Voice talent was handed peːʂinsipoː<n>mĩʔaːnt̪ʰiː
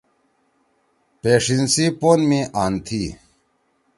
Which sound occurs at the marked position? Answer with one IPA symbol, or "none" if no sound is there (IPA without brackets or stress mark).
n